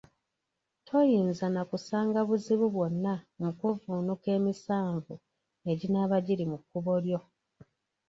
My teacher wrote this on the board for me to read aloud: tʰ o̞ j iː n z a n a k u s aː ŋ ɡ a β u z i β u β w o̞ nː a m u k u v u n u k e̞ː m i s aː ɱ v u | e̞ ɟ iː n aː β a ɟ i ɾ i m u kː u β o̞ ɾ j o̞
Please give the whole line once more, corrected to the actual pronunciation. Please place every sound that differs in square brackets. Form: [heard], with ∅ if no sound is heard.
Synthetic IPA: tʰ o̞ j iː n z a n a k u s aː ŋ ɡ a β u z i β u β w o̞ nː a m u k u v u n u k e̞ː m i s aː ɱ v u | e̞ ɟ [i] n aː β a ɟ i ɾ i m u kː u β o̞ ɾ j o̞